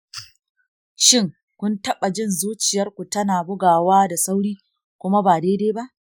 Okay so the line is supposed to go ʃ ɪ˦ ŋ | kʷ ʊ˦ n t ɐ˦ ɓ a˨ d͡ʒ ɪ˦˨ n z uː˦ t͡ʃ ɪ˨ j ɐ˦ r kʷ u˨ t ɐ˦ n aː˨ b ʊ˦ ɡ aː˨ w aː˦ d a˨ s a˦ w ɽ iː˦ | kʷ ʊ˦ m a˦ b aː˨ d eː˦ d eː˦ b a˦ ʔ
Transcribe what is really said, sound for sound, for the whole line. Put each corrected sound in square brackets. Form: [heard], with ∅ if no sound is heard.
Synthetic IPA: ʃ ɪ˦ ŋ | kʷ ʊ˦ n t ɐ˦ ɓ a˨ d͡ʒ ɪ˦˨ n z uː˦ t͡ʃ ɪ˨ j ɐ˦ r kʷ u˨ t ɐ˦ n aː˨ b ʊ˦ ɡ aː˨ w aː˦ d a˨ s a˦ w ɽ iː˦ | kʷ ʊ˦ m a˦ b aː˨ d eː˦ d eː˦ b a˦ ʔ